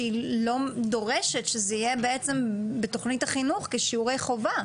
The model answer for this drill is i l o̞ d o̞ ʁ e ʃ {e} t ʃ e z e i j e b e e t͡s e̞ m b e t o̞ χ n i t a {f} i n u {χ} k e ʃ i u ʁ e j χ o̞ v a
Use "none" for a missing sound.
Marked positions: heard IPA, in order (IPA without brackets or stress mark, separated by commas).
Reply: e, χ, χ